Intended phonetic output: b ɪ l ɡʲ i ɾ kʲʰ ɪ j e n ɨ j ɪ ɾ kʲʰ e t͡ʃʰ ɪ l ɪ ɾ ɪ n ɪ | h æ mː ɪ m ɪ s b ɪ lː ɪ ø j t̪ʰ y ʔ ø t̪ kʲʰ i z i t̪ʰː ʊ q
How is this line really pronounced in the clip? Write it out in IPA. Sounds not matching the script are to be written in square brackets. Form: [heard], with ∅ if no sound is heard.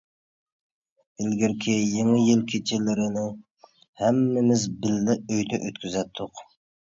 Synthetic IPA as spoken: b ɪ l ɡʲ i ɾ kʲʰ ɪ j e [ŋ] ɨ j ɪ [l] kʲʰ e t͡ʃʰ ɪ l ɪ ɾ ɪ n ɪ | h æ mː ɪ m ɪ [z] b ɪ lː ɪ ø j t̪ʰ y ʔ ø t̪ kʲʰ [y] z [ɛ] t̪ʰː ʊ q